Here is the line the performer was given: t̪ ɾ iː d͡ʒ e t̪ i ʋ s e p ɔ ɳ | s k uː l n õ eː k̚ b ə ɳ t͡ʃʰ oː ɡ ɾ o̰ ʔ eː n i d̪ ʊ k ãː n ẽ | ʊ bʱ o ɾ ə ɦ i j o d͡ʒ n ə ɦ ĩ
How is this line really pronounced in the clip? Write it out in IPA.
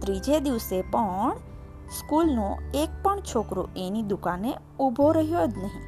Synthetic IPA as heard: t̪ ɾ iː d͡ʒ e d̪ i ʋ s e p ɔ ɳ | s k uː l n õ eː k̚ p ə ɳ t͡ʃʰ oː k ɾ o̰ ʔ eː n i d̪ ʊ k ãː n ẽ | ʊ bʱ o ɾ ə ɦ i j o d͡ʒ n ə ɦ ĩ